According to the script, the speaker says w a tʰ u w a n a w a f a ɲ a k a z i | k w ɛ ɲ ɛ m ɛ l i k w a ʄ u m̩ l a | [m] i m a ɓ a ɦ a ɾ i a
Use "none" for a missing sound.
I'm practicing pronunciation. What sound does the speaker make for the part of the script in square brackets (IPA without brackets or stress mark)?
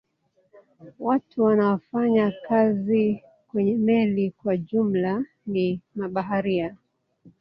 n